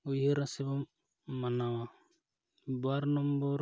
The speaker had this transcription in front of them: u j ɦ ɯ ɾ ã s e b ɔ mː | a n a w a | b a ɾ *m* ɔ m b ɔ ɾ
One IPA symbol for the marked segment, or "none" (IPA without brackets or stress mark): n